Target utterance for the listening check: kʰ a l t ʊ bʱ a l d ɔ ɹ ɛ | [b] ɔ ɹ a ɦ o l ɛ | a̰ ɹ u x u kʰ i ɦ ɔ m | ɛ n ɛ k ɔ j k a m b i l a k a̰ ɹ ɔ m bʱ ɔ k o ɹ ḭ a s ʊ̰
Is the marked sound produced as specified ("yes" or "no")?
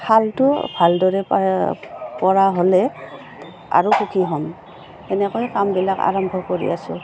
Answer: no